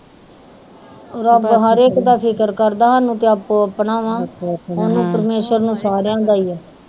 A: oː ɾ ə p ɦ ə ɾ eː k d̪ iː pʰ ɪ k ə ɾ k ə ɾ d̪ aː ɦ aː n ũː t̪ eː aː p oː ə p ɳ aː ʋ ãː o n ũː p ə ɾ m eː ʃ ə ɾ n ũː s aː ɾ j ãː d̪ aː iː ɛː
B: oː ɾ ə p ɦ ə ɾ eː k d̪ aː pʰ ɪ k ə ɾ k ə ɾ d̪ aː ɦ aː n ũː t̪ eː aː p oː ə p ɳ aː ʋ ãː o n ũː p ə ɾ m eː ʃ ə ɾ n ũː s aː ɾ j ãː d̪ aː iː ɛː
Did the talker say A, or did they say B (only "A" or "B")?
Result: B